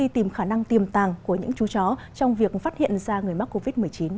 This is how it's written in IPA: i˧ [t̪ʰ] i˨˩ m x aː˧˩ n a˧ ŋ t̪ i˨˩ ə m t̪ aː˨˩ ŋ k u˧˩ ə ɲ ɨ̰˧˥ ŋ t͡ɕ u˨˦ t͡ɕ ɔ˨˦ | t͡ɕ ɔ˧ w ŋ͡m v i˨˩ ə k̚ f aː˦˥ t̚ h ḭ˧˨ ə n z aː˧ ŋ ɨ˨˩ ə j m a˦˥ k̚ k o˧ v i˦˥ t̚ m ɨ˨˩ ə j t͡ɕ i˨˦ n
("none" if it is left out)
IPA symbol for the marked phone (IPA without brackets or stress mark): t̪